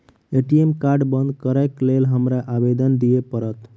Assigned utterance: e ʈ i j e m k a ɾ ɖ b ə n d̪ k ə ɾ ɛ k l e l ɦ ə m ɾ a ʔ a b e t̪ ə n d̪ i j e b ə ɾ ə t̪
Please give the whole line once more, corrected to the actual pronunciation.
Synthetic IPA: e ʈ i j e m k a ɾ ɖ b ə n d̪ k ə ɾ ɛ k l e l ɦ ə m ɾ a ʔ a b e d̪ ə n d̪ i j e p ə ɾ ə t̪